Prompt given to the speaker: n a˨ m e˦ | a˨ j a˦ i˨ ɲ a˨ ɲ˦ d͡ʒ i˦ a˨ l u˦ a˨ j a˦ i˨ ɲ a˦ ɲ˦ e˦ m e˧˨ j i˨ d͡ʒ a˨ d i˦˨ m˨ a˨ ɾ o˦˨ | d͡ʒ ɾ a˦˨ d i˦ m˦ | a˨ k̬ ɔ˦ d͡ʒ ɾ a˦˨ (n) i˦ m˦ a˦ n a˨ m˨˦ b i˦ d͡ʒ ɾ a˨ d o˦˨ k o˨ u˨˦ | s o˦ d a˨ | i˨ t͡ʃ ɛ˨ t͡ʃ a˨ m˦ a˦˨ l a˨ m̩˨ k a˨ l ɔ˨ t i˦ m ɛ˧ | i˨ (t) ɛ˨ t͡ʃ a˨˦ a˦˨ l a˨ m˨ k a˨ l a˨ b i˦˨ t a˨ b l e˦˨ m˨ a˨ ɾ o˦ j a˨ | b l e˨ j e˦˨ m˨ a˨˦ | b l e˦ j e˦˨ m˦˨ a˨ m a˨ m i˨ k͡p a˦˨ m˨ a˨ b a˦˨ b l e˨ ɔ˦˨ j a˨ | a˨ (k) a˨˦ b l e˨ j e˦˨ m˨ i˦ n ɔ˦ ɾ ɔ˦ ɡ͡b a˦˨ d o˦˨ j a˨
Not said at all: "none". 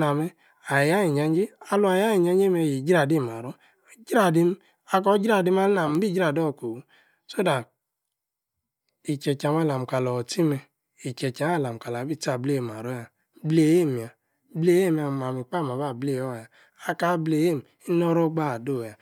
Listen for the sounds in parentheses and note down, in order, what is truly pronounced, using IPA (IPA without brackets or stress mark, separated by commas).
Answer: d, t͡ʃ, k